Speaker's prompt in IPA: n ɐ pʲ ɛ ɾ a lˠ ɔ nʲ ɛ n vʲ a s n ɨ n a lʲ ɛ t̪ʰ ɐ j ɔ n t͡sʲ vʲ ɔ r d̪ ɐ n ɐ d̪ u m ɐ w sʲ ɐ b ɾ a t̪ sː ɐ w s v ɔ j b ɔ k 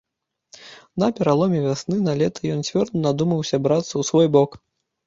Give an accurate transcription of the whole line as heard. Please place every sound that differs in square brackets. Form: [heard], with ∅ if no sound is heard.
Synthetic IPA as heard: n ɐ pʲ ɛ ɾ a lˠ ɔ [mʲ] ɛ [∅] vʲ a s n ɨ n a lʲ ɛ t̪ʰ ɐ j ɔ n t͡sʲ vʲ ɔ r d̪ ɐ n [a] d̪ u m ɐ w sʲ ɐ b ɾ a t̪ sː ɐ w s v ɔ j b ɔ k